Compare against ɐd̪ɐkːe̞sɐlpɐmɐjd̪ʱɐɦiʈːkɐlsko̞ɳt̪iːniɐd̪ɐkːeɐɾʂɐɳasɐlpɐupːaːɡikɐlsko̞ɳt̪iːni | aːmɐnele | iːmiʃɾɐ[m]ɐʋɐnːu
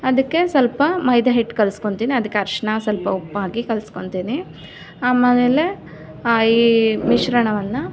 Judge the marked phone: incorrect: ɳ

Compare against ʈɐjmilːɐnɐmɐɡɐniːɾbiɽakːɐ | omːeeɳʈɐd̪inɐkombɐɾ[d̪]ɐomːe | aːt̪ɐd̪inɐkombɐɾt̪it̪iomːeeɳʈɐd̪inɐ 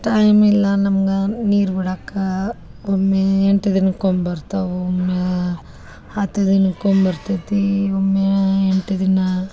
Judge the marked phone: incorrect: t̪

